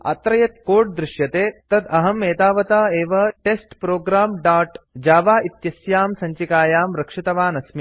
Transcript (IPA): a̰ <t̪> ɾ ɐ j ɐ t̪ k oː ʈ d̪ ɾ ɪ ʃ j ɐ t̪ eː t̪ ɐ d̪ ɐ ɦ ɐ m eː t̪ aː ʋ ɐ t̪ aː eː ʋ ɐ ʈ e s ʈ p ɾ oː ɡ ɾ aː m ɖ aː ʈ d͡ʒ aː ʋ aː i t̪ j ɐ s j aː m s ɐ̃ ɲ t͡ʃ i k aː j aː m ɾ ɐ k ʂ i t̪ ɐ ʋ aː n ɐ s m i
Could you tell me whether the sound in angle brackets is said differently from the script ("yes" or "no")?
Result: no